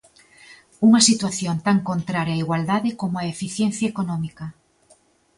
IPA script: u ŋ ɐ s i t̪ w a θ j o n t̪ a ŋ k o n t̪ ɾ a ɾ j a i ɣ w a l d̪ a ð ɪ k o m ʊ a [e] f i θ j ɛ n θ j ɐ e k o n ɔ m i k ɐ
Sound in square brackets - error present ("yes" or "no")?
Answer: no